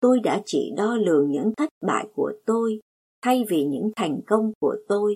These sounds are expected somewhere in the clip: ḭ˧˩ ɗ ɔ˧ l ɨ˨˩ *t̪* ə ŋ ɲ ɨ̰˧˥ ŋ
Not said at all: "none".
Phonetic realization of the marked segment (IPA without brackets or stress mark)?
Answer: none